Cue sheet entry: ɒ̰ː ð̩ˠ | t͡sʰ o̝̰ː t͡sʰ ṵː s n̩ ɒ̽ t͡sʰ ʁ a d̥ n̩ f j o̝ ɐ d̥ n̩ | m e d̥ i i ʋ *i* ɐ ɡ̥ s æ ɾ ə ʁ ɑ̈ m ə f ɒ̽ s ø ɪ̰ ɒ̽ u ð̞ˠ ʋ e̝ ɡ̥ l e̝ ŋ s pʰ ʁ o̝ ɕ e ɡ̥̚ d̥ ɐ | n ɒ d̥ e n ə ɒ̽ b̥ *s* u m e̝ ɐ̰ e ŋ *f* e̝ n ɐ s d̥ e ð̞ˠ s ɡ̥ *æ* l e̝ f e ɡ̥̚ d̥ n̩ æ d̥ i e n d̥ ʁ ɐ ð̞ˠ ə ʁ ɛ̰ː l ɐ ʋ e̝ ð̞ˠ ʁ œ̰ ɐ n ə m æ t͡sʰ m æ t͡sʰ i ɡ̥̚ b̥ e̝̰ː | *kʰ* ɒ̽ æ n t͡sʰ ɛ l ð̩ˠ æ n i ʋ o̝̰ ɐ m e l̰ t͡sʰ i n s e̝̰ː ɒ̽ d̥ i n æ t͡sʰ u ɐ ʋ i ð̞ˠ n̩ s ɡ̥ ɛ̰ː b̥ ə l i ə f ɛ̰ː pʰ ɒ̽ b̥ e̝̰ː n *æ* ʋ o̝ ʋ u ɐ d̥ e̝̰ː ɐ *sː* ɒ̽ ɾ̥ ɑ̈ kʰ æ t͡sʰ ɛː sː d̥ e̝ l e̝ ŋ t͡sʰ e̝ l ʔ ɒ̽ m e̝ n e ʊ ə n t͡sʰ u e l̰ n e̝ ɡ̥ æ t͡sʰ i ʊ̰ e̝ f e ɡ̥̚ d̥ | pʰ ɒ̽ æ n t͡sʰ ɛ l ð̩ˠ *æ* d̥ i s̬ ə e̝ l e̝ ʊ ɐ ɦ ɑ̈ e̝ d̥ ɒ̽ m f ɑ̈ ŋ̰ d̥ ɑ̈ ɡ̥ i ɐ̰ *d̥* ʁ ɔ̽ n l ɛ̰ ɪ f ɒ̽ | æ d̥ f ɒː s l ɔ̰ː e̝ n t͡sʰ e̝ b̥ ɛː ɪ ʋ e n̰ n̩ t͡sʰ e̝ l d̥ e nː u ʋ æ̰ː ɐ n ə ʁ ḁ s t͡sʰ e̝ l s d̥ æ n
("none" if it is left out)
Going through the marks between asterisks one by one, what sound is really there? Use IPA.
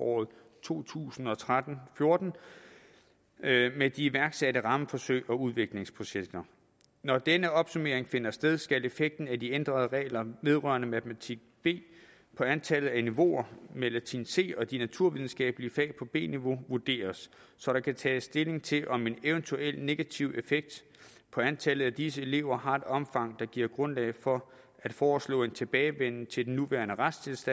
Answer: æ, s, f, æ, pʰ, i, sː, æ, ɡ̥

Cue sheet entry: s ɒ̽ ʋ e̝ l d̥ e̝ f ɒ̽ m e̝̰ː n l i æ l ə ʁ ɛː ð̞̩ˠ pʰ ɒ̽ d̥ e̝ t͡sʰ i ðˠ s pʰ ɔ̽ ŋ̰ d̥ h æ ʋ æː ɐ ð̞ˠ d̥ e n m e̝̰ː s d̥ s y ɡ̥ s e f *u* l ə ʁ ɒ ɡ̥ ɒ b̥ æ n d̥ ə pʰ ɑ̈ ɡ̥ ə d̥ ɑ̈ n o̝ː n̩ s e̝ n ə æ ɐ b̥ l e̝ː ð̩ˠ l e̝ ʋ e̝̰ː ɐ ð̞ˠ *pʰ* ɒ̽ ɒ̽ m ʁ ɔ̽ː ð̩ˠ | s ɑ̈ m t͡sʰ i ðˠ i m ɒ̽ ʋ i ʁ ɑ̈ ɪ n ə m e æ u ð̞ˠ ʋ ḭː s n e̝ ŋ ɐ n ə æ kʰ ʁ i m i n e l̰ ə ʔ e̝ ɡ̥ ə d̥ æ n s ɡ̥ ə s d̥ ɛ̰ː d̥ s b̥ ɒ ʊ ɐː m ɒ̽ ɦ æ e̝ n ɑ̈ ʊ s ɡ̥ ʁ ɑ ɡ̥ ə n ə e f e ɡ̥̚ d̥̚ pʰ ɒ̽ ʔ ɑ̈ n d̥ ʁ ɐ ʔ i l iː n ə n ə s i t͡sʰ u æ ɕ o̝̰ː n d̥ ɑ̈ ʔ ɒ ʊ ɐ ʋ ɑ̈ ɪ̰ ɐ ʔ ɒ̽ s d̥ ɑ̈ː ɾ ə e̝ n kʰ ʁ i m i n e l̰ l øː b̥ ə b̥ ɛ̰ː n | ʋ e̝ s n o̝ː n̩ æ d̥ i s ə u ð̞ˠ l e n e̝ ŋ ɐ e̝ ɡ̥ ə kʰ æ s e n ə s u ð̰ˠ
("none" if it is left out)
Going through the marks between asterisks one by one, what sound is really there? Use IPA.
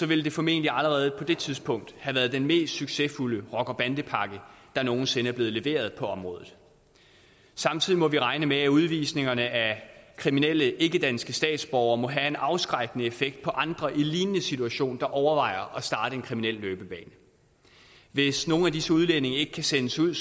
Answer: u, pʰ

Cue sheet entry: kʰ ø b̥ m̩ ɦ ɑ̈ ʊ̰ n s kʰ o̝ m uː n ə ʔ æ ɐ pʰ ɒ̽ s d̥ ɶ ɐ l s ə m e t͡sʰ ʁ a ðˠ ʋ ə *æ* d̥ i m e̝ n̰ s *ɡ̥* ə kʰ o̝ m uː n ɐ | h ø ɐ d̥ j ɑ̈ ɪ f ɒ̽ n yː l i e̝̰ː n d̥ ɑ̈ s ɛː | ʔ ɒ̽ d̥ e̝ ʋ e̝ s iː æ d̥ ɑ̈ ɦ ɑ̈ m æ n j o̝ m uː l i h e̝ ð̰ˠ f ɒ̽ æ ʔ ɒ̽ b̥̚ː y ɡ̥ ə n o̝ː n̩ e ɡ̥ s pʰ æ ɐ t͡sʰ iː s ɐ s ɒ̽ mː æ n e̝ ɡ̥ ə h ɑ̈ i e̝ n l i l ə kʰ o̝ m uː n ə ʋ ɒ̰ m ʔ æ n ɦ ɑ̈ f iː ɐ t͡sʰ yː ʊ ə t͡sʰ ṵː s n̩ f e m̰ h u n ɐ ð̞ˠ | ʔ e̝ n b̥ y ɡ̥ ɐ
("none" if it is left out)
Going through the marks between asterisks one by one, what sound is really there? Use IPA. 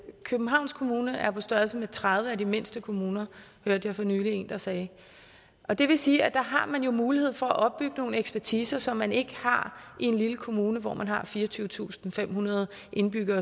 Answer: æ, d̥

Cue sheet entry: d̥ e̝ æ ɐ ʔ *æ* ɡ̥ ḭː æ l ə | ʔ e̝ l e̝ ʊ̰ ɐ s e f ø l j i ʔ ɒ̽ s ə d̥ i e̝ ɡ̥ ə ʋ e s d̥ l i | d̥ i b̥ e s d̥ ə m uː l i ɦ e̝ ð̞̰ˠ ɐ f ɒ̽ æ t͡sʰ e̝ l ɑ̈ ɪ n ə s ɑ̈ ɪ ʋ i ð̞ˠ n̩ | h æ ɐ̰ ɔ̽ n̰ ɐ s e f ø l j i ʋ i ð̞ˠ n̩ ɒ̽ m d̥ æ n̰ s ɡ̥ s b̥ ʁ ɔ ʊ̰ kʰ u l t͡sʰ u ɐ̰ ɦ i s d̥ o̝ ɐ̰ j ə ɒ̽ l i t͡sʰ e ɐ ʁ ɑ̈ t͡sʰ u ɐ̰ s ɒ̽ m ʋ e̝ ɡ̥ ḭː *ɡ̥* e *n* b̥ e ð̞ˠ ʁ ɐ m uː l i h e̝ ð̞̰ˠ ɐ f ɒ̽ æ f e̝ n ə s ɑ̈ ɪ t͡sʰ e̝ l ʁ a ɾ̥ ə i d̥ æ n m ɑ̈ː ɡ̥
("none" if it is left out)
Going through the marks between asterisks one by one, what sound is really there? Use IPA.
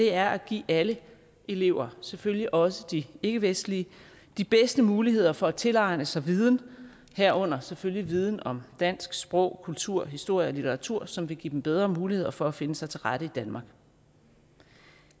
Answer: æ, d̥, m

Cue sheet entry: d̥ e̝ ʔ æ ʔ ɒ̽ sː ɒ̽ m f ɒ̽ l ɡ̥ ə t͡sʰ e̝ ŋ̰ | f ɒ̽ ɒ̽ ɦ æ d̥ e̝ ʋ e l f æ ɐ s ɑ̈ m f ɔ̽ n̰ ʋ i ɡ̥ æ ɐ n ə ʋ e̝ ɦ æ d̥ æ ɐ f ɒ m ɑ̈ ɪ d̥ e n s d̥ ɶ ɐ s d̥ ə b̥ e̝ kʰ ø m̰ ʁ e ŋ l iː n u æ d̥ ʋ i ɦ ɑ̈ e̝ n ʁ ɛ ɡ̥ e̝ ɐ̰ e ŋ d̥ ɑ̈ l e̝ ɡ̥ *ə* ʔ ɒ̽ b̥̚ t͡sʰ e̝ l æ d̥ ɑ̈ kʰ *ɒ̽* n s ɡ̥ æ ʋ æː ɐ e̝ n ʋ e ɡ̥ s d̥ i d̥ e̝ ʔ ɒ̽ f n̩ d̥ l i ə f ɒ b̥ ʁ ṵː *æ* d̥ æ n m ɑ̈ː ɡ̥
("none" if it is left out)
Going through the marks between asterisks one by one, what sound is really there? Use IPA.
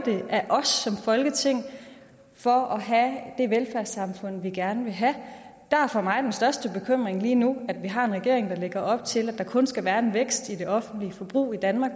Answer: ɐ, ɔ̽, i

